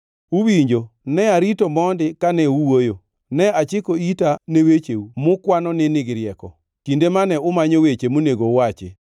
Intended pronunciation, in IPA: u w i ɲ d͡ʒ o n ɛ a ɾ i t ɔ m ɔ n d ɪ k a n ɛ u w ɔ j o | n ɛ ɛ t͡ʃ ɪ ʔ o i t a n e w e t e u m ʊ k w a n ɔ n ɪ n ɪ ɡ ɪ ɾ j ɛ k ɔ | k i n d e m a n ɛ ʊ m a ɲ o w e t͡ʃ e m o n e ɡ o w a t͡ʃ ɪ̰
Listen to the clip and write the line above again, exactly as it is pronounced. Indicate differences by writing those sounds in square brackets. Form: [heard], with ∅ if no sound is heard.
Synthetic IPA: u w i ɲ d͡ʒ o n ɛ a ɾ i t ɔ m ɔ n d ɪ k a n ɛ u w [o] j o | n ɛ [a] t͡ʃ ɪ [k] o i t a n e w e [t͡ʃ] e u m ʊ k w a n ɔ n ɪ n ɪ ɡ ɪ ɾ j ɛ k ɔ | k i n d e m a n ɛ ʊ m a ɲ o w e t͡ʃ e m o n e ɡ o w a t͡ʃ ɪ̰